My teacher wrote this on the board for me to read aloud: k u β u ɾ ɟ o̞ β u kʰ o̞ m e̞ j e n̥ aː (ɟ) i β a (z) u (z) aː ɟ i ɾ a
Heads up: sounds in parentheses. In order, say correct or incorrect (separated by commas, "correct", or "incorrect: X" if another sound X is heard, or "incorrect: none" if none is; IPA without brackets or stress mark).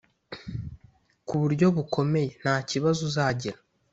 incorrect: c, correct, correct